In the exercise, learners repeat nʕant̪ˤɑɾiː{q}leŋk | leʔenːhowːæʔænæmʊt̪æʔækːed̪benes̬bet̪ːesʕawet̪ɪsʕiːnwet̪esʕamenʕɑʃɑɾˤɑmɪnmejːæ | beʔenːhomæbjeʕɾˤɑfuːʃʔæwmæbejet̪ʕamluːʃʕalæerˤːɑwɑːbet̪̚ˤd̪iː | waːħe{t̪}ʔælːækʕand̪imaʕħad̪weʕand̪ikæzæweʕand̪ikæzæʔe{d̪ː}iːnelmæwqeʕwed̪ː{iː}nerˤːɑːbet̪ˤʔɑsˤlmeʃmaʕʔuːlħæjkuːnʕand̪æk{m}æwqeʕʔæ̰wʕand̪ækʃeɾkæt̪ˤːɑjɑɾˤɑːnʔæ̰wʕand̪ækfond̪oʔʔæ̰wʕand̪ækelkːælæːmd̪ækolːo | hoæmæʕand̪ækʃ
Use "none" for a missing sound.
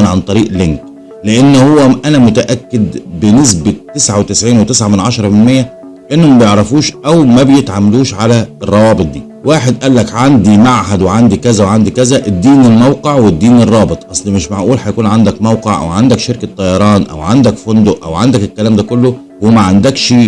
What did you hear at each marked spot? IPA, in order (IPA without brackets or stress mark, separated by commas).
ʔ, d̪, d̪ː, iː, m